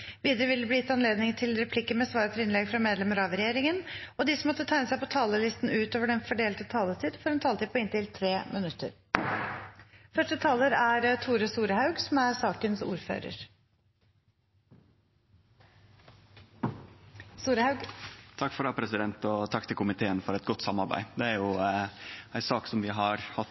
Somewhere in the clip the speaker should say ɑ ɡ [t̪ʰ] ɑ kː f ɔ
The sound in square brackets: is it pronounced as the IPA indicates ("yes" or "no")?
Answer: yes